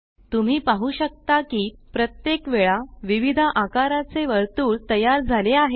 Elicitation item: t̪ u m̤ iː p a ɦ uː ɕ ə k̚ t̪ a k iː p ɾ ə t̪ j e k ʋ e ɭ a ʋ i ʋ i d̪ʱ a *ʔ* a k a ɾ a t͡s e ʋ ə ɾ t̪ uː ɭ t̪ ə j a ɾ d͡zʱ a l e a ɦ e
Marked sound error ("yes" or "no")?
no